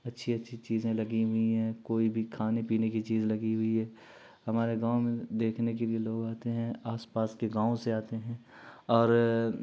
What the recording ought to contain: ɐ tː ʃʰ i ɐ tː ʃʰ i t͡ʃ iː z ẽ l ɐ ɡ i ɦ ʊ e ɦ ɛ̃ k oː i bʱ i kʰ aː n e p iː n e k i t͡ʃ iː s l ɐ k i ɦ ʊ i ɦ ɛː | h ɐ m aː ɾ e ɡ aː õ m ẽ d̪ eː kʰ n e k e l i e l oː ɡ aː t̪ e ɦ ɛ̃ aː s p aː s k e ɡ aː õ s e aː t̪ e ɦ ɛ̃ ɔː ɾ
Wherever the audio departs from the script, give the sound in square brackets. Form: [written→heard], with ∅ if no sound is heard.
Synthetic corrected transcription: ɐ tː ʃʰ i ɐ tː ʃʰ i t͡ʃ iː z ẽ l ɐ ɡ i ɦ ʊ [e→i] ɦ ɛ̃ k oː i bʱ i kʰ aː n e p iː n e k i t͡ʃ iː [s→z] l ɐ [k→ɡ] i ɦ ʊ i ɦ ɛː | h ɐ m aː ɾ e ɡ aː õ m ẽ d̪ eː kʰ n e k e l i e l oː ɡ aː t̪ e ɦ ɛ̃ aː s p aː s k e ɡ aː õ s e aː t̪ e ɦ ɛ̃ ɔː ɾ